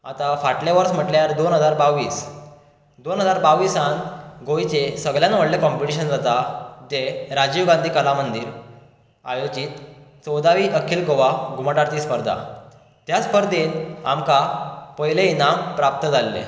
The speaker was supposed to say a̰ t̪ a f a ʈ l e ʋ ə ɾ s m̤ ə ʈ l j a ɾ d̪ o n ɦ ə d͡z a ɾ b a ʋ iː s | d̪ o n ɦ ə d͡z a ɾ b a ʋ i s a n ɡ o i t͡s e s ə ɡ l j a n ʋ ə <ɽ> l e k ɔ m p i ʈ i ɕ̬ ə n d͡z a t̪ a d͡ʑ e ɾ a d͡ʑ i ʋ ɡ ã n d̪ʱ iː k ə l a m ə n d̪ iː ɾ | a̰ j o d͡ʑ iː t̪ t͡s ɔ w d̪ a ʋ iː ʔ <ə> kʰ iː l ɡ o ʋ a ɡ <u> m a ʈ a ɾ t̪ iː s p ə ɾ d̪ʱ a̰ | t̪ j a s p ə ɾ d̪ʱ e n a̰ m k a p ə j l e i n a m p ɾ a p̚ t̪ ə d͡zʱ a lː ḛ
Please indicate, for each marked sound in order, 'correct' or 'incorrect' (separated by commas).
correct, correct, correct